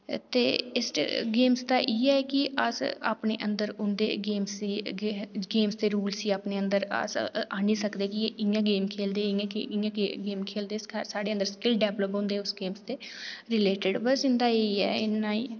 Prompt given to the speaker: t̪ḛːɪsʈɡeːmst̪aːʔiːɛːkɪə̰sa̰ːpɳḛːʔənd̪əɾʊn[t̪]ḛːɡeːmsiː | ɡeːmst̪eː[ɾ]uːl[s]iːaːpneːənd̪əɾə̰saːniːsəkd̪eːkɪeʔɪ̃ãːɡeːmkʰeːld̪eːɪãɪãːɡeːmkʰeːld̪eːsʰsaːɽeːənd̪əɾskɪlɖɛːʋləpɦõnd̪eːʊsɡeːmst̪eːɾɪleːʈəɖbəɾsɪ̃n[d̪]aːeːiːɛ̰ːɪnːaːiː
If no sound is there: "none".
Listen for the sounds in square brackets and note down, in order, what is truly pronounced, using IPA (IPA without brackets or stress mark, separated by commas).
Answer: d̪, ɾ, s, d̪